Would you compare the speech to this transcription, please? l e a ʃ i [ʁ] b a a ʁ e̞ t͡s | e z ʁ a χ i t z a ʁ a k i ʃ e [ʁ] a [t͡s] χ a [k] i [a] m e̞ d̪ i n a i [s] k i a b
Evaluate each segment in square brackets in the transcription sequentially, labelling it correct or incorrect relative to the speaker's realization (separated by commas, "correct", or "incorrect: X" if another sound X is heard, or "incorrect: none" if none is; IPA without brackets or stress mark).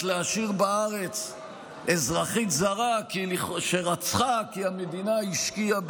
correct, correct, correct, correct, correct, incorrect: ʃ